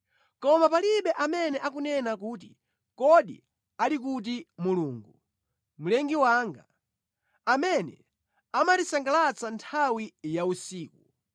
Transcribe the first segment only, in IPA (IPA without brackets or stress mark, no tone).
k